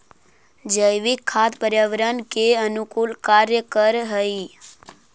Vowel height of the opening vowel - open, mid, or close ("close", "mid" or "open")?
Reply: mid